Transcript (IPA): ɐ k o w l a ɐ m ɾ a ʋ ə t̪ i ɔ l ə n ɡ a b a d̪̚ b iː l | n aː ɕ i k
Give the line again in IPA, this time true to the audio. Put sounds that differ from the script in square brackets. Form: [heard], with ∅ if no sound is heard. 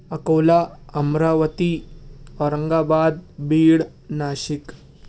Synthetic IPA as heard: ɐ k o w l a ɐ m ɾ a ʋ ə t̪ i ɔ [ɾ] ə [ŋ] ɡ a b a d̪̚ b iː [ɽ] | n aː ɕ i k